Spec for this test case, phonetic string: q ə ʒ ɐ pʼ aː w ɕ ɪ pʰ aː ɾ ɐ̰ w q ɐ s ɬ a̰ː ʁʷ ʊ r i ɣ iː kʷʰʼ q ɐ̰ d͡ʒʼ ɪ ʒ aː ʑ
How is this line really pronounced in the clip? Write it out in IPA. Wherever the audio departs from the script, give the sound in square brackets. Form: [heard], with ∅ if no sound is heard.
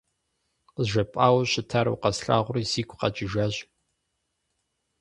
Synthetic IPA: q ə ʒ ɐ pʼ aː w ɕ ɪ [tʰ] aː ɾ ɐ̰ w q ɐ s ɬ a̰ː ʁʷ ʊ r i [z] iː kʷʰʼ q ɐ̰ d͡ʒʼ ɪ ʒ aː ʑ